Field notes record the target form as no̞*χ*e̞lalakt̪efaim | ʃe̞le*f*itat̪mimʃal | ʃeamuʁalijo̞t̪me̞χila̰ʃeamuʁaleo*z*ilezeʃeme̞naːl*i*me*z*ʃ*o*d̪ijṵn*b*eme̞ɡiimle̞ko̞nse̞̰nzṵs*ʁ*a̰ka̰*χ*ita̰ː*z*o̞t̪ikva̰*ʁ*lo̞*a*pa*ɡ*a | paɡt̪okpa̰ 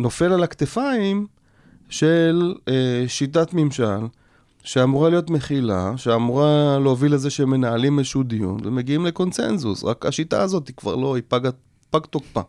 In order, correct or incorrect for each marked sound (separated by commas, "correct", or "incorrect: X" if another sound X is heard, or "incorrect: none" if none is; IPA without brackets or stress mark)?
incorrect: f, incorrect: ʃ, incorrect: v, correct, correct, incorrect: u, incorrect: v, correct, incorrect: ʃ, correct, correct, incorrect: i, correct